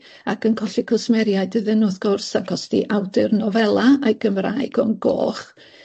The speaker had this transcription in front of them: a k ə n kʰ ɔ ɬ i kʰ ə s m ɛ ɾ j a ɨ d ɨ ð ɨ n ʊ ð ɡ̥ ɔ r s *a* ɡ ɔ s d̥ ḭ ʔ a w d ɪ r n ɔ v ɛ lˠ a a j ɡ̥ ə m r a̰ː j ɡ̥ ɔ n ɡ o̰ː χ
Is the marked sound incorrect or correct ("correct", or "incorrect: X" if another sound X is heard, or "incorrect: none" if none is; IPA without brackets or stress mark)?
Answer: correct